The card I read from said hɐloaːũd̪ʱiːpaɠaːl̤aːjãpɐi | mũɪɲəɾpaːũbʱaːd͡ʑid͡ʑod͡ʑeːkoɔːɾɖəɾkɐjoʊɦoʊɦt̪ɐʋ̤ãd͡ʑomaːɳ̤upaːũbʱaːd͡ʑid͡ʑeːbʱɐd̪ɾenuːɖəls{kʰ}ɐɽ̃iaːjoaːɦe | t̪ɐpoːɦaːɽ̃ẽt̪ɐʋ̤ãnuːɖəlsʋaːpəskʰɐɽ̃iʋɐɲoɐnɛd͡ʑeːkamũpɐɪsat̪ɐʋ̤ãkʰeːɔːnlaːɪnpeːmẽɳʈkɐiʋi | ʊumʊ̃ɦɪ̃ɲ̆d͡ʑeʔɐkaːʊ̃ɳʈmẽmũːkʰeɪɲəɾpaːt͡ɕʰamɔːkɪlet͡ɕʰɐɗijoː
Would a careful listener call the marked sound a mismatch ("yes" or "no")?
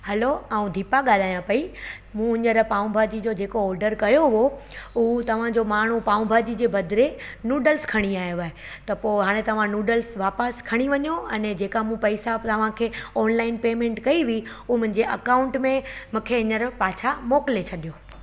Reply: no